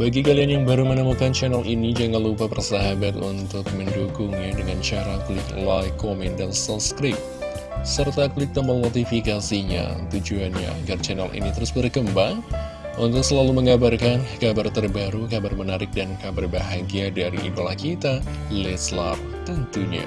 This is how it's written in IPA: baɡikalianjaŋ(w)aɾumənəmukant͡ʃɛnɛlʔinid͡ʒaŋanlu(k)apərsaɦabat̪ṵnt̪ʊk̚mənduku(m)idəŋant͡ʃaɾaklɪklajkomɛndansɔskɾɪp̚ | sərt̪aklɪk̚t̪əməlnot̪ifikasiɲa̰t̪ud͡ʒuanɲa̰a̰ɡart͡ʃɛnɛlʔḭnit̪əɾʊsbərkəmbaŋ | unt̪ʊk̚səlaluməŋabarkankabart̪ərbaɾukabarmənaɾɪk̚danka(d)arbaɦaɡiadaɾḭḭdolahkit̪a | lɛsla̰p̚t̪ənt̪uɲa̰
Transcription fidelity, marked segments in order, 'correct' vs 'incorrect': incorrect: b, incorrect: p, incorrect: ŋ, incorrect: b

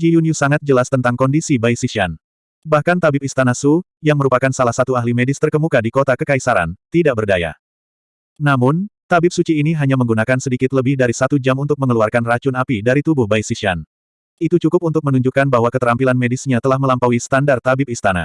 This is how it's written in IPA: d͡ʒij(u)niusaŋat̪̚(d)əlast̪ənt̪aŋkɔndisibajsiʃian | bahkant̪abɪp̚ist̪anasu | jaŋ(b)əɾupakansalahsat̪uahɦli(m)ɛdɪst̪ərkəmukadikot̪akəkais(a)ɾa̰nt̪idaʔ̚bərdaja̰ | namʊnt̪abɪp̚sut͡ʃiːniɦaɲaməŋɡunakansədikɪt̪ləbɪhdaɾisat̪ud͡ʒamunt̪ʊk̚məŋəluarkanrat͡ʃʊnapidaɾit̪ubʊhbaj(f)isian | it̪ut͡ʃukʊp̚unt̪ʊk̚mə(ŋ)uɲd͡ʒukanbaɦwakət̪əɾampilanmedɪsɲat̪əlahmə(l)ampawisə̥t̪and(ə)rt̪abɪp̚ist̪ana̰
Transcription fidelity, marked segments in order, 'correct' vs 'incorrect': correct, incorrect: d͡ʒ, incorrect: m, correct, correct, incorrect: s, incorrect: n, correct, incorrect: a

